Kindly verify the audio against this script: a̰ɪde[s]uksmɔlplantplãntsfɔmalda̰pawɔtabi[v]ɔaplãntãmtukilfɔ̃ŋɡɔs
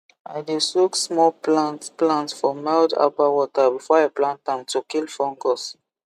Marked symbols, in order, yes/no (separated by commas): yes, no